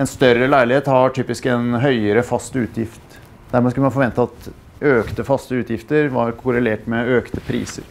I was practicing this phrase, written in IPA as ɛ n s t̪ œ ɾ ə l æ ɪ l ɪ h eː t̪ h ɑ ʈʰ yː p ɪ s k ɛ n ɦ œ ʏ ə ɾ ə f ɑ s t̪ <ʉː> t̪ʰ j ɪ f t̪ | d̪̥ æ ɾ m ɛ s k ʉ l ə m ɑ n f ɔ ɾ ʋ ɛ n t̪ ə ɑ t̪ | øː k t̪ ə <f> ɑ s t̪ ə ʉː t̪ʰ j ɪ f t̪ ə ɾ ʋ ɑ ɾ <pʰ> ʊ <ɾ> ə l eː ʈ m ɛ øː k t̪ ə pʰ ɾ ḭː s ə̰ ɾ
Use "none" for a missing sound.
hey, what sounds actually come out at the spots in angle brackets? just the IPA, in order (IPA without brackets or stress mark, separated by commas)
ʉː, f, kʰ, ɾ